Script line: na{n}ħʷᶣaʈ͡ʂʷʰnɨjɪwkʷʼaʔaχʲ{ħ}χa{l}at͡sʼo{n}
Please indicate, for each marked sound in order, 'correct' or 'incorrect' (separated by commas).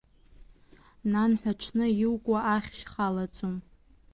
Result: correct, incorrect, correct, incorrect